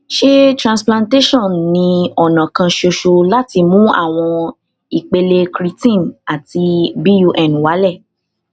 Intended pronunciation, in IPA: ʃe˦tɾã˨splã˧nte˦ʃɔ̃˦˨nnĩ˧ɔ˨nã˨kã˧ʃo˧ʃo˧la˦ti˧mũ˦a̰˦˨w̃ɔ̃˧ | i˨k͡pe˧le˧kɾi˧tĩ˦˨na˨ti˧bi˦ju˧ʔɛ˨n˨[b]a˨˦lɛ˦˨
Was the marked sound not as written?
yes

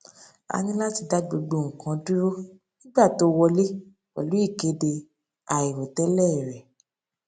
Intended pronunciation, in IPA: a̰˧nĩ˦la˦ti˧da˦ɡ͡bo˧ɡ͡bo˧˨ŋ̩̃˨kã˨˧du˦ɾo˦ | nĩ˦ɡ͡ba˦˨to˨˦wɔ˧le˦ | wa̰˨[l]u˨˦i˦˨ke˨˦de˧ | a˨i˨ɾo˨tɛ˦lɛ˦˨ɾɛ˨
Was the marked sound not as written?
no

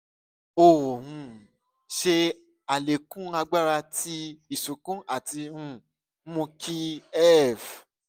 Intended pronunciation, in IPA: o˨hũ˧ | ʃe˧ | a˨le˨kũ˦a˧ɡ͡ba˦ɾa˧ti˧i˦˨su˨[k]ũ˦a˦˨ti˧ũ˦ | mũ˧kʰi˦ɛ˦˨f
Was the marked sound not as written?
no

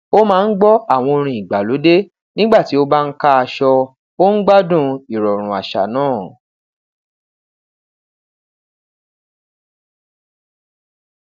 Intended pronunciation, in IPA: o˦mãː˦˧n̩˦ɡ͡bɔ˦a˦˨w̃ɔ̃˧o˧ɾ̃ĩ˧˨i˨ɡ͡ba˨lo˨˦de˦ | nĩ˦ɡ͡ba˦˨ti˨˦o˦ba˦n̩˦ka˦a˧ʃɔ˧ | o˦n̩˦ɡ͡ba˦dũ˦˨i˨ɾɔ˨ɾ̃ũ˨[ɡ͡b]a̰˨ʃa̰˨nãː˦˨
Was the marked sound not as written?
yes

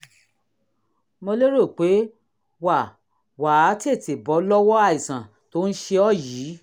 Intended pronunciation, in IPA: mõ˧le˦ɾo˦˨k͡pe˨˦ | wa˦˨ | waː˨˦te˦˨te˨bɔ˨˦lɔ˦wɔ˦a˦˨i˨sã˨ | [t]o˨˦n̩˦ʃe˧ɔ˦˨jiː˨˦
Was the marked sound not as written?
no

